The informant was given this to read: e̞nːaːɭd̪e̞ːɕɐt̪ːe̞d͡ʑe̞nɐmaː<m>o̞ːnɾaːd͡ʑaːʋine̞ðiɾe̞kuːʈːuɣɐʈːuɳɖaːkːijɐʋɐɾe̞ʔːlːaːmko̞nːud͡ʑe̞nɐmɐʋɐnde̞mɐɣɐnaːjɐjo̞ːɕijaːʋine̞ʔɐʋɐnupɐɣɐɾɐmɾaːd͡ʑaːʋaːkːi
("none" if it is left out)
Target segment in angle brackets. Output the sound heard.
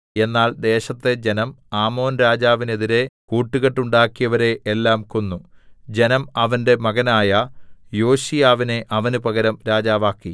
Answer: m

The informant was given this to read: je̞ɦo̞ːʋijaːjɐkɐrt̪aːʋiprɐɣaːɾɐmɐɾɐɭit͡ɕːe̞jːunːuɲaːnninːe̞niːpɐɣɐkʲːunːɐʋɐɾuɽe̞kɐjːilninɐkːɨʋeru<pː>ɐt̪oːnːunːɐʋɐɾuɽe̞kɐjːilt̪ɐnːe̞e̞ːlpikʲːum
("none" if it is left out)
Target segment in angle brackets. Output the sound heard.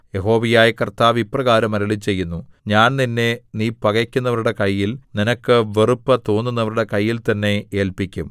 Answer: pː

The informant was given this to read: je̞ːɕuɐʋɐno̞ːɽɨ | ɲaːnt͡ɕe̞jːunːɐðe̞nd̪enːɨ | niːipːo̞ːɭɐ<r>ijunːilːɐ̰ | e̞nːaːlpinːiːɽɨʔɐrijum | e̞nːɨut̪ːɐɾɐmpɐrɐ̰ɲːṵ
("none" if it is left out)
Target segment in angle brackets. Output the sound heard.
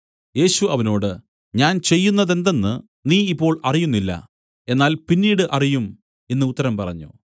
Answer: r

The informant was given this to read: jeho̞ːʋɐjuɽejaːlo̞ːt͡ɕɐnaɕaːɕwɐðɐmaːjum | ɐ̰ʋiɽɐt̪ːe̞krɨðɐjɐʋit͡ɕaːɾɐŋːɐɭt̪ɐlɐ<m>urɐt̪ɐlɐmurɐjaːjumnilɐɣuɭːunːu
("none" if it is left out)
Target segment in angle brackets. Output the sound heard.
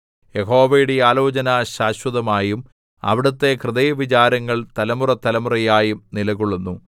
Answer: m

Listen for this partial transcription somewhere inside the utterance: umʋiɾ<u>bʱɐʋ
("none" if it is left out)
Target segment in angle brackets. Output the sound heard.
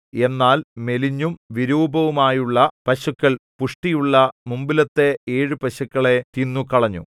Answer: uː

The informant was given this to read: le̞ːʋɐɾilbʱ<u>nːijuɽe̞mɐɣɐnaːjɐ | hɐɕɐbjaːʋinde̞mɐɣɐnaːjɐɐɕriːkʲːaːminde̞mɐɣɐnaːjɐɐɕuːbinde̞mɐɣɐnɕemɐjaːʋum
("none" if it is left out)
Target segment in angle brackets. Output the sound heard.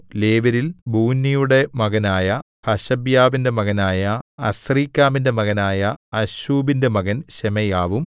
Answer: uː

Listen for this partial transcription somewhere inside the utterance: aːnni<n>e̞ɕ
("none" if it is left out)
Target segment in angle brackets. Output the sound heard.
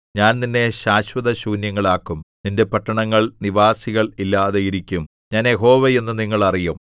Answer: nː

